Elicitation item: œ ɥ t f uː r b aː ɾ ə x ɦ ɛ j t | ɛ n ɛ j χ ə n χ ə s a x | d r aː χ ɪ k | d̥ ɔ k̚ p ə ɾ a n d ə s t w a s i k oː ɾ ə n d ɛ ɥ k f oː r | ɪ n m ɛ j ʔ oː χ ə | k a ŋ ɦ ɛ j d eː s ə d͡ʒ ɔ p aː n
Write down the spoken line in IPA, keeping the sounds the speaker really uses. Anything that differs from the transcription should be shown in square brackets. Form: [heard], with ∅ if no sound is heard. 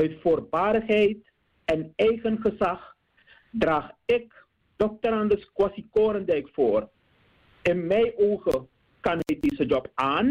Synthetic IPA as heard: œ ɥ t f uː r b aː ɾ ə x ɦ ɛ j t | ɛ n ɛ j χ ə n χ ə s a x | d r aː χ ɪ k | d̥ ɔ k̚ [t] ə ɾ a n d ə s [k] w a s i k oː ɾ ə n d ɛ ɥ k f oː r | ɪ n m ɛ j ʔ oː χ ə | k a [n] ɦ ɛ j d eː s ə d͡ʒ ɔ p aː n